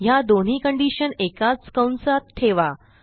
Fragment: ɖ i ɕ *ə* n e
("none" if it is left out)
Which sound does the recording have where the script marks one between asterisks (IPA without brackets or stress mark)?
ə